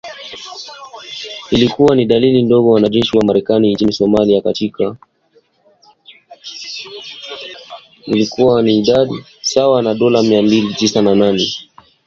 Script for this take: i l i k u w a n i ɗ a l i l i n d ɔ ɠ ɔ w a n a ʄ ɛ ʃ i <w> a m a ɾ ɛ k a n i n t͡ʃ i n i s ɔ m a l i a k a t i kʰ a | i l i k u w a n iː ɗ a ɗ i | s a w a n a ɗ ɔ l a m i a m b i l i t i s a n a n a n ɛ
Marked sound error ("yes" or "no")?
no